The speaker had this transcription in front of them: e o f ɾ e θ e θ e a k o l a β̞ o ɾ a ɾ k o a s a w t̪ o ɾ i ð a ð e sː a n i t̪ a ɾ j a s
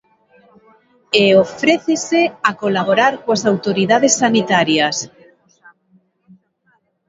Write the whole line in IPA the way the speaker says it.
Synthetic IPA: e o f ɾ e θ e s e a k o l a β̞ o ɾ a ɾ k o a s a w t̪ o ɾ i ð a ð e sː a n i t̪ a ɾ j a s